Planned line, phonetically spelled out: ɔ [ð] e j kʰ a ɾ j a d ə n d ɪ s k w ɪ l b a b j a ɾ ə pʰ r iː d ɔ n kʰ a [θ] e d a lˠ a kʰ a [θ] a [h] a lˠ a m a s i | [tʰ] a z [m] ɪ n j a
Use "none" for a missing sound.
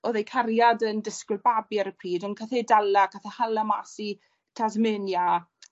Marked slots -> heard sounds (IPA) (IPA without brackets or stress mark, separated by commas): ð, θ, θ, h, tʰ, m